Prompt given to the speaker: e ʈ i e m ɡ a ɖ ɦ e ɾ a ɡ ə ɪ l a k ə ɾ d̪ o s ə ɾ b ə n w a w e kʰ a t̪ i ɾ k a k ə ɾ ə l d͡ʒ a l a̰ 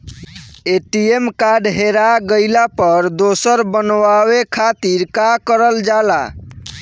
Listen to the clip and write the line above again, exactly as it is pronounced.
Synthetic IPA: e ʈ i e m k a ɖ ɦ e ɾ a ɡ ə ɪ l a p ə ɾ d̪ o s ə ɾ b ə n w a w e kʰ a t̪ i ɾ k a k ə ɾ ə l d͡ʒ a l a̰